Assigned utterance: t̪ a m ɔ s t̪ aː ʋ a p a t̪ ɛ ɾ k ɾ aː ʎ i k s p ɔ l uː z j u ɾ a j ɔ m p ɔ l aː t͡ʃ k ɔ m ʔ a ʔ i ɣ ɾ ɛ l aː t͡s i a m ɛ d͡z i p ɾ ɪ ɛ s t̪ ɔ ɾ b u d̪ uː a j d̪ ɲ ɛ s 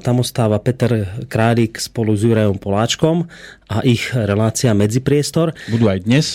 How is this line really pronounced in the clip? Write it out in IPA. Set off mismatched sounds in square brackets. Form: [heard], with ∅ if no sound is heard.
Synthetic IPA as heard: t̪ a m ɔ s t̪ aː ʋ a p [ɛ] t̪ ɛ ɾ k ɾ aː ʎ i k s p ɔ l [u] z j u ɾ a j ɔ m p ɔ l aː t͡ʃ k ɔ m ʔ a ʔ i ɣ ɾ ɛ l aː t͡s i a m ɛ d͡z i p ɾ ɪ ɛ s t̪ ɔ ɾ b u d̪ uː a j d̪ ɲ ɛ s